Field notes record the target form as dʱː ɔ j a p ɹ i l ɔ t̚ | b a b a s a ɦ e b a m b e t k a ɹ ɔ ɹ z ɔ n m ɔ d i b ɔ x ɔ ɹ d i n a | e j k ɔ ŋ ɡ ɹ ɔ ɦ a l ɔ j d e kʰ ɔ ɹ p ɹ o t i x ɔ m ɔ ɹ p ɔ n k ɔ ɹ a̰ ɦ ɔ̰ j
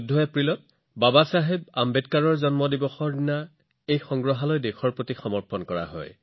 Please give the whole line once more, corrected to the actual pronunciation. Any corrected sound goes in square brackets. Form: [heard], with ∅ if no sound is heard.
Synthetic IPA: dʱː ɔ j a p ɹ i l ɔ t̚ | b a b a s a ɦ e b a m b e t k a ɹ ɔ ɹ z ɔ n m ɔ d i b ɔ x ɔ ɹ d i n a | e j [x] ɔ ŋ ɡ ɹ ɔ ɦ a l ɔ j d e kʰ ɔ ɹ p ɹ o t i x ɔ m ɔ ɹ p ɔ n k ɔ ɹ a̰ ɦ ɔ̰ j